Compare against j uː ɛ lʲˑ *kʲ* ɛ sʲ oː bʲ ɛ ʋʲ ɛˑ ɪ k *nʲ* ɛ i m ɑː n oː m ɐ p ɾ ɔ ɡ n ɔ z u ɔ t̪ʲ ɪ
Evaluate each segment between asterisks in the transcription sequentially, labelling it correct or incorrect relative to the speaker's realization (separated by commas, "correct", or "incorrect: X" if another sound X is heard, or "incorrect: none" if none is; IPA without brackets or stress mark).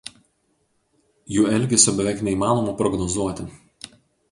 incorrect: ɡʲ, correct